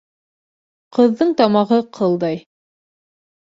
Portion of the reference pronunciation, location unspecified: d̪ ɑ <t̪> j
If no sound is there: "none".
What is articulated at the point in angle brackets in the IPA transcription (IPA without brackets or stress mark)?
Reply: none